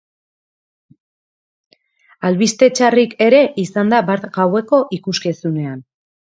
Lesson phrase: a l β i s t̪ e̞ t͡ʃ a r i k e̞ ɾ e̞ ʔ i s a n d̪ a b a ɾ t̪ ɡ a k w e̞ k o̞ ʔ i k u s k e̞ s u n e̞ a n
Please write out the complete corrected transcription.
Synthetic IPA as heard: a l β i s t̪ e̞ t͡ʃ a r i k e̞ ɾ e̞ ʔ i s a n d̪ a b a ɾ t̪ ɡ a w e̞ k o̞ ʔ i k u s k e̞ s u n e̞ a n

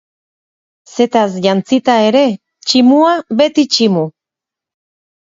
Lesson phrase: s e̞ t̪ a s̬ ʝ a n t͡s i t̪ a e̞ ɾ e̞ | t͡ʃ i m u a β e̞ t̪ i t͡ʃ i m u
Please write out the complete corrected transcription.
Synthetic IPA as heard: s e̞ t̪ a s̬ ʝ a n t͡s i t̪ a e̞ ɾ e̞ | t͡ʃ i m u a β e̞ t̪ i t͡ʃ i m u

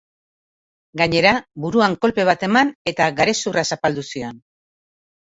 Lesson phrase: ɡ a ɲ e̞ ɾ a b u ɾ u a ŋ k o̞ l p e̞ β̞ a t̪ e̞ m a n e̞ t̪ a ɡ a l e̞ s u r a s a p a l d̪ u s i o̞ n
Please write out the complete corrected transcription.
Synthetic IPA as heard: ɡ a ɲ e̞ ɾ a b u ɾ u a ŋ k o̞ l p e̞ β̞ a t̪ e̞ m a n e̞ t̪ a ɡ a ɾ e̞ s u r a s a p a l d̪ u s i o̞ n

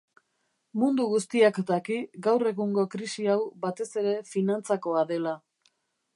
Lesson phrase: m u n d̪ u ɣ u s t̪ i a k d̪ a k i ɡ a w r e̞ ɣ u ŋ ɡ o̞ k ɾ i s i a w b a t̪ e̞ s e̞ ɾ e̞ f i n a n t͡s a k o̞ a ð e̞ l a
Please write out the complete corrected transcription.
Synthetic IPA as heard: m u n d̪ u ɣ u s t̪ i a k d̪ a k i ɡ a w r e̞ ɣ u ŋ ɡ o̞ k ɾ i s i a w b a t̪ e̞ s e̞ ɾ e̞ f i n a n t͡s a k o̞ a ð e̞ l a

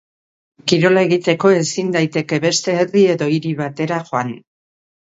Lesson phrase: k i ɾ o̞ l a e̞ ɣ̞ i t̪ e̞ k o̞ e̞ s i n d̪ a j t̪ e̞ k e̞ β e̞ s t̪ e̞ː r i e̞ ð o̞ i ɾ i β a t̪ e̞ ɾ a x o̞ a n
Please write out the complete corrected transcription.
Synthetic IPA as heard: k i ɾ o̞ l a e̞ ɣ̞ i t̪ e̞ k o̞ e̞ s i n d̪ a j t̪ e̞ k e̞ β e̞ s t̪ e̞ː r i e̞ ð o̞ i ɾ i β a t̪ e̞ ɾ a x o̞ a n

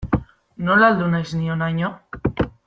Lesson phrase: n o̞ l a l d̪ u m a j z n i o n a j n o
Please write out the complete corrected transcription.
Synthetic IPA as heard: n o̞ l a l d̪ u n a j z n i o n a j ɲ o

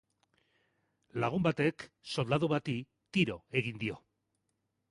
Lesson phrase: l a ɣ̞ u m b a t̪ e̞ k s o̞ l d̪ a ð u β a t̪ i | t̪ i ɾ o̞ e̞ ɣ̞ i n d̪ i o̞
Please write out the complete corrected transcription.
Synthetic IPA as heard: l a ɣ̞ u m b a t̪ e̞ k s o̞ l d̪ a ð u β a t̪ i | t̪ i ɾ o̞ e̞ ɣ̞ i n d̪ i o̞

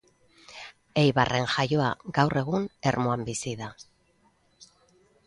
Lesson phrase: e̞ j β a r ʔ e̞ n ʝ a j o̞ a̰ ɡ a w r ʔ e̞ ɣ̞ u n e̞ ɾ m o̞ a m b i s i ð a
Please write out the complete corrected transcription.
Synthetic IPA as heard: e̞ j β a r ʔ e̞ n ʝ a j o̞ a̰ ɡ a w r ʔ e̞ ɣ̞ u n e̞ ɾ m o̞ a m b i s i ð a

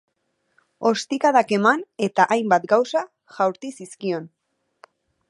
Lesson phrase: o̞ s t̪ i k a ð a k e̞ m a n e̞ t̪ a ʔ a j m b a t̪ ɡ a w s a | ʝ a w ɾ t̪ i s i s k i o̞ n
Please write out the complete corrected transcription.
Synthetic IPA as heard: o̞ s t̪ i k a ð a k e̞ m a n e̞ t̪ a ʔ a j m b a t̪ ɡ a w s a | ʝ a w ɾ t̪ i s i s k i o̞ n

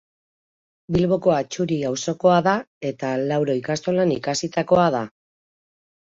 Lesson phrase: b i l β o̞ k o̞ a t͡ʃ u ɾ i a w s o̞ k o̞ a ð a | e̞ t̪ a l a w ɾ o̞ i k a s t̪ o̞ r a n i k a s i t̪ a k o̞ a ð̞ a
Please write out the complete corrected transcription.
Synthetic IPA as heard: b i l β o̞ k o̞ a t͡ʃ u ɾ i a w s o̞ k o̞ a ð a | e̞ t̪ a l a w ɾ o̞ i k a s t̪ o̞ l a n i k a s i t̪ a k o̞ a ð̞ a

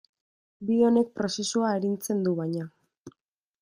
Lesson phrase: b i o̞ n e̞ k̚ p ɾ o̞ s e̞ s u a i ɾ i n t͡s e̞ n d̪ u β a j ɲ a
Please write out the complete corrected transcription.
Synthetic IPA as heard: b i o̞ n e̞ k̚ p ɾ o̞ s e̞ s u a e ɾ i n t͡s e̞ n d̪ u β a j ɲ a

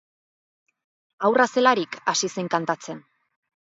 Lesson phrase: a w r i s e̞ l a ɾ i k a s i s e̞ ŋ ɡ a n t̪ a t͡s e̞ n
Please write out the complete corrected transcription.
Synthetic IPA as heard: a w r a s e̞ l a ɾ i k a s i s e̞ ŋ k a n t̪ a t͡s e̞ n

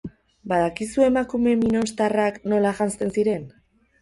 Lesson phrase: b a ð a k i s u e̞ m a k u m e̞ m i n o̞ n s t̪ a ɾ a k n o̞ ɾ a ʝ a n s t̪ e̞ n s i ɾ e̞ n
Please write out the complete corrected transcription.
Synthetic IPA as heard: b a ð a k i s u e̞ m a k u m e̞ m i n o̞ n s t̪ a r a k n o̞ l a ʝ a n s t̪ e̞ n s i ɾ e̞ n

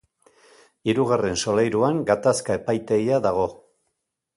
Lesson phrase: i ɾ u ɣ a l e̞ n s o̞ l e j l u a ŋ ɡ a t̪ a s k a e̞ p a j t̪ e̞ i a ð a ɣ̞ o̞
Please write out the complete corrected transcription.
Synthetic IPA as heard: i ɾ u ɣ a r e̞ n s o̞ l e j ɾ u a ŋ ɡ a t̪ a s k a e̞ p a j t̪ e̞ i a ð a ɣ̞ o̞

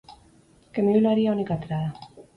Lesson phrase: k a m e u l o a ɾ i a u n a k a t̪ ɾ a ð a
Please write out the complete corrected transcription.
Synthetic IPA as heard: k e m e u l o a ɾ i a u n i k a t̪ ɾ a ð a

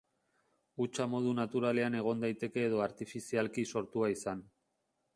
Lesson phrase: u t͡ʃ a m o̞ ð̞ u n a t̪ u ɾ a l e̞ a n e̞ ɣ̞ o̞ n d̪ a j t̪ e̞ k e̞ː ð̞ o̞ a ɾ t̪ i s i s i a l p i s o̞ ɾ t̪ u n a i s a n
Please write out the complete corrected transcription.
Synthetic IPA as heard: u t͡ʃ a m o̞ ð̞ u n a t̪ u ɾ a l e̞ a n e̞ ɣ̞ o̞ n d̪ a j t̪ e̞ k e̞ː ð̞ o̞ a ɾ t̪ i f i s i a l k i s o̞ ɾ t̪ u a i s a n

